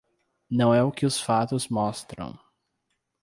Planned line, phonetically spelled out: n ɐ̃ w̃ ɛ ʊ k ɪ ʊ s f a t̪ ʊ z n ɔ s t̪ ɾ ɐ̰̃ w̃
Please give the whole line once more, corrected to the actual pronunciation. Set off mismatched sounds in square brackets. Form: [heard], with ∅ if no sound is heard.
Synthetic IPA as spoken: n ɐ̃ w̃ ɛ ʊ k ɪ ʊ s f a t̪ ʊ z [m] ɔ s t̪ ɾ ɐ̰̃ w̃